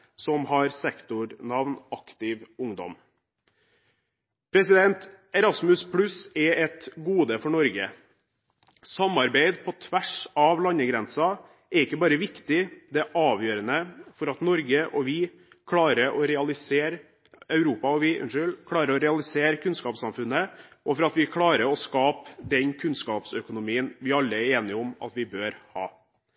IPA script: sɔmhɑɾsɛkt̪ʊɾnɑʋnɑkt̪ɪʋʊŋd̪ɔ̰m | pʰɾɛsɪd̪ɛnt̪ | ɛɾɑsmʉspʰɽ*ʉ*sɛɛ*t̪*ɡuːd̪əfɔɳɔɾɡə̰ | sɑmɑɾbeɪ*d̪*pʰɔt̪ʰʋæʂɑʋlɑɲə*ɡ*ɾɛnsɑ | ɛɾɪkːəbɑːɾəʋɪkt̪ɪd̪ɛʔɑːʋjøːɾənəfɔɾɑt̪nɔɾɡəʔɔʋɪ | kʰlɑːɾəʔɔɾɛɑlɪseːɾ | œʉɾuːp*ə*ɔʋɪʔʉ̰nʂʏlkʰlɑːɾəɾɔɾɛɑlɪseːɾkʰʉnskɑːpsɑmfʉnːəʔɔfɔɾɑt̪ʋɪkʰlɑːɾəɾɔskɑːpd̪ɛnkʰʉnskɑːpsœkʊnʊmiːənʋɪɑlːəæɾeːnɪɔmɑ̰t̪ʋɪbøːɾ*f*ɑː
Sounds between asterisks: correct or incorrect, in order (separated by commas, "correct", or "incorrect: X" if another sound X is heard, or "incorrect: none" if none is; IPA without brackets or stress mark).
correct, correct, correct, correct, incorrect: ɑ, incorrect: h